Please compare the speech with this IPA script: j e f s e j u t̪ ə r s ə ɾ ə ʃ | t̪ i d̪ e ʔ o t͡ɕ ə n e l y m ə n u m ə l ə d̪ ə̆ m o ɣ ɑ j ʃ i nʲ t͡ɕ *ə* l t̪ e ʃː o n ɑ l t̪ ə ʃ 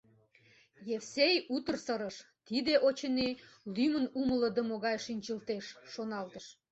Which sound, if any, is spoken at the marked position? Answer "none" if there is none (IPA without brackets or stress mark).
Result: ə